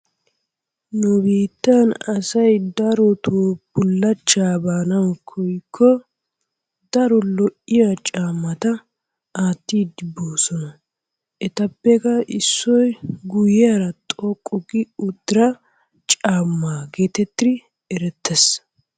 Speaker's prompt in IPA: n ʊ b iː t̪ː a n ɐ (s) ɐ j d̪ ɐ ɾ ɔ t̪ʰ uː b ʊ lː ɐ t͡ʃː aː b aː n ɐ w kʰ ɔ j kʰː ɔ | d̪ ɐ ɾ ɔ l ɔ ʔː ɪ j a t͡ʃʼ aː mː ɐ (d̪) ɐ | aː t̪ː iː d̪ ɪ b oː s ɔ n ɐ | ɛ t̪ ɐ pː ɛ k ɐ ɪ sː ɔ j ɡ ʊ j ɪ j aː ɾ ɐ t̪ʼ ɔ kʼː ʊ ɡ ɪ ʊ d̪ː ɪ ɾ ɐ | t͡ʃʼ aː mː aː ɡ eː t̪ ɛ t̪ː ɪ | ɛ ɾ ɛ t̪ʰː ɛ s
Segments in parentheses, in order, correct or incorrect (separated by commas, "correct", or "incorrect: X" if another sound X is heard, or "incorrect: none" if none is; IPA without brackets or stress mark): correct, incorrect: t̪